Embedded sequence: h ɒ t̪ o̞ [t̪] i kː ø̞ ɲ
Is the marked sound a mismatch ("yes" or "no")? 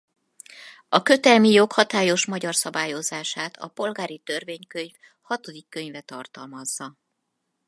yes